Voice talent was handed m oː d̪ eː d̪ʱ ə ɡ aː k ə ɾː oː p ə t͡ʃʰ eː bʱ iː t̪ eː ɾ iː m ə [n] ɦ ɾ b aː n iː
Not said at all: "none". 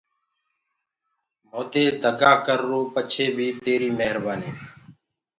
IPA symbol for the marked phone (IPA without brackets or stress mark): none